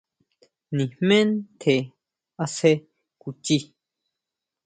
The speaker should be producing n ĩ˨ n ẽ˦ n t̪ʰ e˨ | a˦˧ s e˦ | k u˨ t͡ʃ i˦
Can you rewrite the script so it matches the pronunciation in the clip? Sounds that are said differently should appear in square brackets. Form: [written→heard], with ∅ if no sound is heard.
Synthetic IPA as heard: n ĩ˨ [n→m] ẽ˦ n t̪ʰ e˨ | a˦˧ s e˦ | k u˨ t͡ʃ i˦